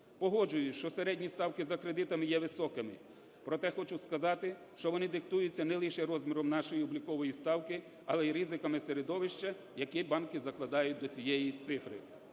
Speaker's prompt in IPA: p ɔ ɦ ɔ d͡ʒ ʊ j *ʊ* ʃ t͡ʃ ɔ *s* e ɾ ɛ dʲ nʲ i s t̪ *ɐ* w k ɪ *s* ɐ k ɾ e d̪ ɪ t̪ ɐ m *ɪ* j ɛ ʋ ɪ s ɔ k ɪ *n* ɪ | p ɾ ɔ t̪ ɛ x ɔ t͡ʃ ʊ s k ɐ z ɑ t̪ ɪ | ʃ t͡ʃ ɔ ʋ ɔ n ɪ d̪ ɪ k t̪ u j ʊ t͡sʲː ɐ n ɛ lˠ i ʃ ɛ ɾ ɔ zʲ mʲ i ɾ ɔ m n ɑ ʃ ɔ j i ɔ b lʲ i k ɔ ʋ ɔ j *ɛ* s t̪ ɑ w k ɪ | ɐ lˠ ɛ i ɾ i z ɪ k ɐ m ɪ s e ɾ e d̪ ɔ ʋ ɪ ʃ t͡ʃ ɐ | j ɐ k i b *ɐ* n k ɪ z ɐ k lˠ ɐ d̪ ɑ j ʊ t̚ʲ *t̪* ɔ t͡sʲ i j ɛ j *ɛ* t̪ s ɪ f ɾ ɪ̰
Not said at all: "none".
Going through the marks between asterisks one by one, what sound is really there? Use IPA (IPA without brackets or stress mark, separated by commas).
ʊ, s, ɑ, z, ɪ, m, i, ɑ, d̪, i